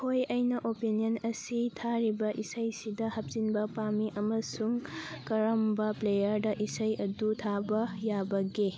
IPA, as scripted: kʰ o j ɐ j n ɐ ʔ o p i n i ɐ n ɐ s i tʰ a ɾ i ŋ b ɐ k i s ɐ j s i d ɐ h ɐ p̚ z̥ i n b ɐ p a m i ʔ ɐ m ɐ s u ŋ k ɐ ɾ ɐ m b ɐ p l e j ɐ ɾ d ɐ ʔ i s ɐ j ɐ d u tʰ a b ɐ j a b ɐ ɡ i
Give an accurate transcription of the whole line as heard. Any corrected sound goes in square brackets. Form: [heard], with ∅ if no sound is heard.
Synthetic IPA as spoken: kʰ o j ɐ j n ɐ ʔ o p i n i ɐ n ɐ s i tʰ a ɾ i [∅] b ɐ [ʔ] i s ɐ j s i d ɐ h ɐ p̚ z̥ i n b ɐ p a m i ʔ ɐ m ɐ s u ŋ k ɐ ɾ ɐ m b ɐ p l e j ɐ ɾ d ɐ ʔ i s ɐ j ɐ d u tʰ a b ɐ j a b ɐ ɡ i